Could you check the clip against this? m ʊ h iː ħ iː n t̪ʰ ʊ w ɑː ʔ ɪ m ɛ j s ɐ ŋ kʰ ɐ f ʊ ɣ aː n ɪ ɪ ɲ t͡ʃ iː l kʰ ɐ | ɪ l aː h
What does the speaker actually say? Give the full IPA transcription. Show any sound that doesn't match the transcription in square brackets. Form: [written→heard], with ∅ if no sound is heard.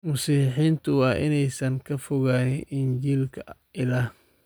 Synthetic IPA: m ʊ [h→s] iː ħ iː n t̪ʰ ʊ w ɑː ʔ ɪ [m→n] ɛ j s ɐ ŋ kʰ ɐ f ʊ ɣ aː n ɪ ɪ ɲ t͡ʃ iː l kʰ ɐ | ɪ l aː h